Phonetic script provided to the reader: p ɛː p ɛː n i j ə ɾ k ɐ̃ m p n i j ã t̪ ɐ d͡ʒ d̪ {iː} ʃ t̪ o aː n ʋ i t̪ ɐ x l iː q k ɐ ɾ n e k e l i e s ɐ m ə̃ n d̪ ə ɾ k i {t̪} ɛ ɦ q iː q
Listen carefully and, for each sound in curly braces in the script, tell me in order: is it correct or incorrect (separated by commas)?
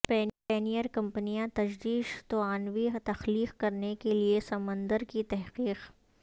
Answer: correct, correct